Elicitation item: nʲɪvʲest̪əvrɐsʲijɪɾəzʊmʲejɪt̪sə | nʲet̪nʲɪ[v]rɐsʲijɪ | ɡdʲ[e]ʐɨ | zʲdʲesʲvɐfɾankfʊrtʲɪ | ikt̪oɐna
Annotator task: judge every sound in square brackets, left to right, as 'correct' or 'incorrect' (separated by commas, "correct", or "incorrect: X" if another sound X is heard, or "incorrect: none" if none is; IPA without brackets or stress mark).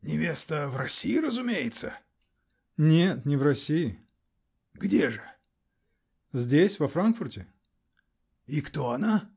correct, correct